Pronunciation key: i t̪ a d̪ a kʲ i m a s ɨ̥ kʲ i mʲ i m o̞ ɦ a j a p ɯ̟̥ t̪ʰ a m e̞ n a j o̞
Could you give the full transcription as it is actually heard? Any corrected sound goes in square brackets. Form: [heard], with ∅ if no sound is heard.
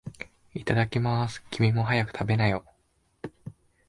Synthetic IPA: i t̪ a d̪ a kʲ i m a s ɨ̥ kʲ i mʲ i m o̞ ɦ a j a [k] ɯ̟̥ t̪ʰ a [b] e̞ n a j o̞